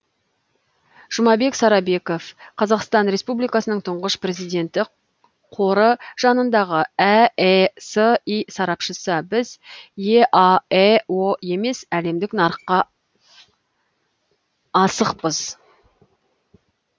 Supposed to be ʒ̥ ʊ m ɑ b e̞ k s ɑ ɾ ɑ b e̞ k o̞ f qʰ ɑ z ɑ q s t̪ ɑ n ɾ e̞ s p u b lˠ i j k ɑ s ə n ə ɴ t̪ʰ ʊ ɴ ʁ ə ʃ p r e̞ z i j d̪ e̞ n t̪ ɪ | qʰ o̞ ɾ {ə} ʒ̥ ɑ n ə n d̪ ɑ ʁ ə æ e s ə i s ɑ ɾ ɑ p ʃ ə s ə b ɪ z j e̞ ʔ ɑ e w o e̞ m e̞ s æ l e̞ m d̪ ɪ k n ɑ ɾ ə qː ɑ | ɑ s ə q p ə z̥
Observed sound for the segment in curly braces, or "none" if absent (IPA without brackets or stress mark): ə